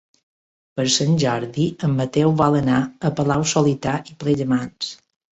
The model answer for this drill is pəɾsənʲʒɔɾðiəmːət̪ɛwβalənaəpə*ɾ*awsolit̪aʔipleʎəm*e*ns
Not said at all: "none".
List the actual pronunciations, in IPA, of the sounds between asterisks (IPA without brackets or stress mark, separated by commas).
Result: l, a